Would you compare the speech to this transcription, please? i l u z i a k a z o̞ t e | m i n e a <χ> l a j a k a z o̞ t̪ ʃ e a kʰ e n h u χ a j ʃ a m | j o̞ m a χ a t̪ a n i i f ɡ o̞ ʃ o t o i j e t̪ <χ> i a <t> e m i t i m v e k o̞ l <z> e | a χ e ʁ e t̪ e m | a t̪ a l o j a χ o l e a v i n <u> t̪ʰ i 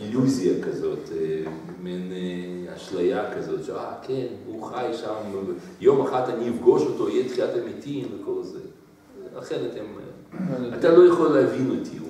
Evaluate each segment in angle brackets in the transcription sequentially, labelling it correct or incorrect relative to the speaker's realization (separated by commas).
incorrect, correct, correct, correct, incorrect